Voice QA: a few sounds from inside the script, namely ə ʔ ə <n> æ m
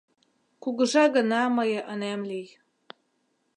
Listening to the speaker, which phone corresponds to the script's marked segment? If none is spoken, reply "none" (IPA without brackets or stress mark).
n